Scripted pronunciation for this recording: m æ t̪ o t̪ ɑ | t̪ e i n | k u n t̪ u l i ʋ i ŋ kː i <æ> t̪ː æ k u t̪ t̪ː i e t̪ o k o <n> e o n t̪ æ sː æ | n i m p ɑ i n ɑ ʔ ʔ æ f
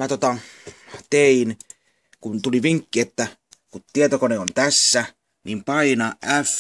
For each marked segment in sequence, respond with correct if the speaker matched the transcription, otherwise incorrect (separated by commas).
incorrect, correct